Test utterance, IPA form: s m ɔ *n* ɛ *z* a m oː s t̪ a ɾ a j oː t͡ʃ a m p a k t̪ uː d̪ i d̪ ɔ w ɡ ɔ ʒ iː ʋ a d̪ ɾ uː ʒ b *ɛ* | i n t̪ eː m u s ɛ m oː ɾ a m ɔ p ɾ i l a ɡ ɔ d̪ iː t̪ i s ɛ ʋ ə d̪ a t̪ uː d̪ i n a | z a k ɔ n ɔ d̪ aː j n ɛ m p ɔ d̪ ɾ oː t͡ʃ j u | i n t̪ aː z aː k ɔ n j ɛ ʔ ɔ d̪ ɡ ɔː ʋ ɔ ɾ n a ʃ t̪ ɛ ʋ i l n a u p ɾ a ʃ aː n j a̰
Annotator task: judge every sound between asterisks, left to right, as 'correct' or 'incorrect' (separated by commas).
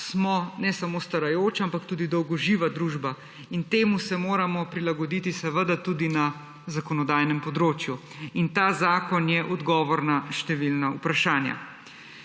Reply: correct, incorrect, incorrect